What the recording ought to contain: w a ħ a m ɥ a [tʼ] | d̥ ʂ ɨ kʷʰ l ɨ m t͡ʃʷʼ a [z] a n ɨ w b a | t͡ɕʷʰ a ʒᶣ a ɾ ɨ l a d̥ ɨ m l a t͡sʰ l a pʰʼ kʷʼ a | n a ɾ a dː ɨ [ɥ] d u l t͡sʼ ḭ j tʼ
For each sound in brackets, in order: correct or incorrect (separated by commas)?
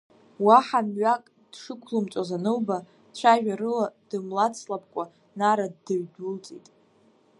incorrect, correct, correct